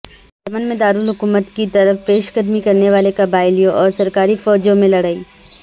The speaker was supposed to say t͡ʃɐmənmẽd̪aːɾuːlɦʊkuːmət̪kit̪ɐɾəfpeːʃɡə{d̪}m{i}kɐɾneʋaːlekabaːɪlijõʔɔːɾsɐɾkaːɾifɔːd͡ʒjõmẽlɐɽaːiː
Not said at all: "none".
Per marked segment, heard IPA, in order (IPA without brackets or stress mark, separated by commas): d̪, i